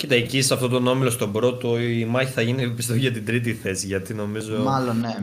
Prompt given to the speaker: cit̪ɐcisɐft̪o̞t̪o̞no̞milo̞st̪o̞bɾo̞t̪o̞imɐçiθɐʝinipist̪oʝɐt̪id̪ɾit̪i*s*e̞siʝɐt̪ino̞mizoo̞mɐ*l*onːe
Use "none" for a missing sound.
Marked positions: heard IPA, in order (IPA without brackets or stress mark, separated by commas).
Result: θ, l